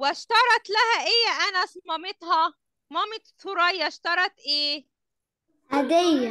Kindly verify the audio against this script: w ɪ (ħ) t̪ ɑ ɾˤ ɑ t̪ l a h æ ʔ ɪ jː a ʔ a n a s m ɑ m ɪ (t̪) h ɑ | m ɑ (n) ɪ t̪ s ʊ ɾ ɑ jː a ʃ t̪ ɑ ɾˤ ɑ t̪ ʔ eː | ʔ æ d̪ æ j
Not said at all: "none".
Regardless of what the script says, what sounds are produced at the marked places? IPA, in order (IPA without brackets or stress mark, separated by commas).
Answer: ʃ, t̪, m